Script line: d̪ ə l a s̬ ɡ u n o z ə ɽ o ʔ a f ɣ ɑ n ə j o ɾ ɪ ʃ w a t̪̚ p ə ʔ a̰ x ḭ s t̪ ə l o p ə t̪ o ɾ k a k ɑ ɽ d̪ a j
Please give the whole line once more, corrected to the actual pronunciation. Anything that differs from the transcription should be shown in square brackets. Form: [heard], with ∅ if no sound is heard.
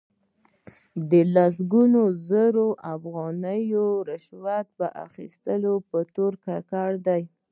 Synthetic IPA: d̪ ə l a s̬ ɡ u n o z ə [ɾ] o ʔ a f ɣ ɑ n ə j o ɾ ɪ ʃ w a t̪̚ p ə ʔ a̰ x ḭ s t̪ ə l o p ə t̪ o ɾ k a k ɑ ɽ d̪ a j